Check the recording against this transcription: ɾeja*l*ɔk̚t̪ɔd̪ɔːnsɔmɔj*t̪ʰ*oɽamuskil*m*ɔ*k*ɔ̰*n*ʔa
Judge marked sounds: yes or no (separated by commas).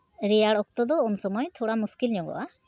no, yes, no, no, no